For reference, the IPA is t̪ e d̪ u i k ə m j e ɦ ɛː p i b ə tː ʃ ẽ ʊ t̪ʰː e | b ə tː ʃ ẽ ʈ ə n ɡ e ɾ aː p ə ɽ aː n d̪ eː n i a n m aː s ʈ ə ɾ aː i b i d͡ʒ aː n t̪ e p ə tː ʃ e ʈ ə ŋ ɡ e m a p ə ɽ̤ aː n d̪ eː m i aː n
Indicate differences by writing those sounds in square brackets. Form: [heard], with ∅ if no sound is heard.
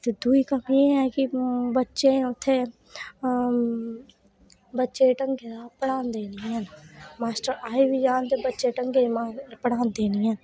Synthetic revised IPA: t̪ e d̪ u i k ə m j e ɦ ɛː [k] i b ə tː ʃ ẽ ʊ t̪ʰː e | b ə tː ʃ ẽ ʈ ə [ŋ] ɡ e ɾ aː p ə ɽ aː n d̪ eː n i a n m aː s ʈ ə ɾ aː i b i d͡ʒ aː n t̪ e [b] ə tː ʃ e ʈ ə ŋ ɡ e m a p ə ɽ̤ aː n d̪ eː [n] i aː n